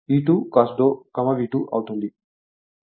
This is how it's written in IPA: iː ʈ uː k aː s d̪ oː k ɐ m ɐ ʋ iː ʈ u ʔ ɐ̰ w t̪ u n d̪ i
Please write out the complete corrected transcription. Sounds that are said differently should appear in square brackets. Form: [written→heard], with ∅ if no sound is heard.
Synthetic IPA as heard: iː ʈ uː k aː s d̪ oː k ɐ m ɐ ʋ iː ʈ u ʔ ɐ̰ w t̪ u n d̪ i